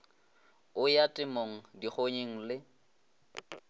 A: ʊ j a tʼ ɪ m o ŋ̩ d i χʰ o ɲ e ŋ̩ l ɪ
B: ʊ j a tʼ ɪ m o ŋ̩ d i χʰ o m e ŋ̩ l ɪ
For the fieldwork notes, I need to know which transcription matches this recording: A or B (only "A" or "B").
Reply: A